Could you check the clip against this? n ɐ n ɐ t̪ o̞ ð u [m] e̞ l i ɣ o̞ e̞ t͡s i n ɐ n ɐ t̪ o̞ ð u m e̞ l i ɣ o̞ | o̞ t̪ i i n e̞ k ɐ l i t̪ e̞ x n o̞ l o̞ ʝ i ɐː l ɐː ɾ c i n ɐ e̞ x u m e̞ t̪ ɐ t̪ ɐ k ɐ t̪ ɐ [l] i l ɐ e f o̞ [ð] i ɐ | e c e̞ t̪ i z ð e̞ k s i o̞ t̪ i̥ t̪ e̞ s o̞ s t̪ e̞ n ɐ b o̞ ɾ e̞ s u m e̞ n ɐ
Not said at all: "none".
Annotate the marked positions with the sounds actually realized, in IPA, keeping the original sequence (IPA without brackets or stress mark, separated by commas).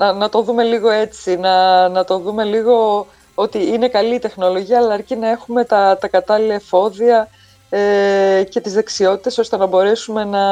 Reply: m, l, ð